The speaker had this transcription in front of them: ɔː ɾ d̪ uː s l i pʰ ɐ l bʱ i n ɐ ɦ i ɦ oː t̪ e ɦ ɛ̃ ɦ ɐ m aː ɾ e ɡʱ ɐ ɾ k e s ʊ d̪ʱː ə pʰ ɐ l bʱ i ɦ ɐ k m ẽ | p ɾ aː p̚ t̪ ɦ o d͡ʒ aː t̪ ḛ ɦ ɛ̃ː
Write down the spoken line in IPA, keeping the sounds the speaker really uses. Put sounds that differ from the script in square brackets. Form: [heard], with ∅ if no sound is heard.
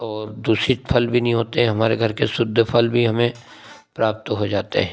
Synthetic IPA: ɔː ɾ d̪ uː s [ɾ] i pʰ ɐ l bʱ i n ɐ ɦ [ĩ] ɦ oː t̪ e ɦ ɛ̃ ɦ ɐ m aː ɾ e ɡʱ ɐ ɾ k e s ʊ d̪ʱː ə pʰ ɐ l bʱ i ɦ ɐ [∅] m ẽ | p ɾ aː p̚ t̪ ɦ o d͡ʒ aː t̪ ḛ ɦ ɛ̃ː